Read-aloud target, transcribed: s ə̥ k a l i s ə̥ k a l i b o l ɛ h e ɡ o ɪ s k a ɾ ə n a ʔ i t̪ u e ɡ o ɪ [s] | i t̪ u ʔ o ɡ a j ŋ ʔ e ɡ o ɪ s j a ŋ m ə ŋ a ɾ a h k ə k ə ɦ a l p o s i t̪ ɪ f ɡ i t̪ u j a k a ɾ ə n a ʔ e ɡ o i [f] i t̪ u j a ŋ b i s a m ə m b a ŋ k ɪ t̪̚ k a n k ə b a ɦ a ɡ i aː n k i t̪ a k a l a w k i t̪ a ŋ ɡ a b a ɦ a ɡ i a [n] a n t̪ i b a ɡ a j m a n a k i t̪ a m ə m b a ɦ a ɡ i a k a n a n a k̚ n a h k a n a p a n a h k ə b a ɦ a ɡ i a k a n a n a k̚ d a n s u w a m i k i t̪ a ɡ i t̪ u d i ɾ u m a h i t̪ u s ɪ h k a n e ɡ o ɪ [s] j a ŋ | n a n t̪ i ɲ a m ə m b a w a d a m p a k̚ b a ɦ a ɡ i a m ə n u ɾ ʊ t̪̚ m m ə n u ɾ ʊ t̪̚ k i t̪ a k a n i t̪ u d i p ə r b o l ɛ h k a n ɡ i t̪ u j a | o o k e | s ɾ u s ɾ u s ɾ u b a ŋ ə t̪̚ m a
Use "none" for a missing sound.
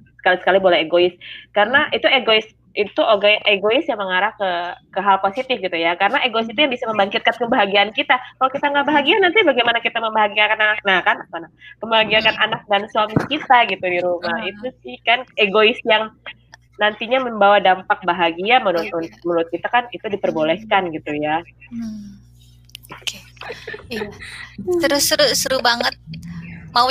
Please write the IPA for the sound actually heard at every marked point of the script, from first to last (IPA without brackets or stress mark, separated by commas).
s, s, n, s